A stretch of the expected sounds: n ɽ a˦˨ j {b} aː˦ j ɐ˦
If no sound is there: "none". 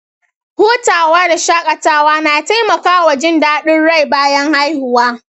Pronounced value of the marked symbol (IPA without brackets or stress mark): b